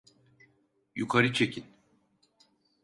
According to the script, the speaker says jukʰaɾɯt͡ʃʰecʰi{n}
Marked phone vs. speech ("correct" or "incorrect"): correct